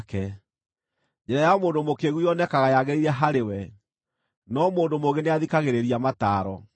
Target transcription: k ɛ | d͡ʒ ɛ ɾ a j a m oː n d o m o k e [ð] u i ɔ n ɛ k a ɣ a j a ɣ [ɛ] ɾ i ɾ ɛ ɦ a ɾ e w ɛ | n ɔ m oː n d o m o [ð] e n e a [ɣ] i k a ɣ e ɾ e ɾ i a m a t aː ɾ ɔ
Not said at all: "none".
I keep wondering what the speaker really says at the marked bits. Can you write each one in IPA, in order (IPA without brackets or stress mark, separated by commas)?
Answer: ɣ, e, ɣ, ð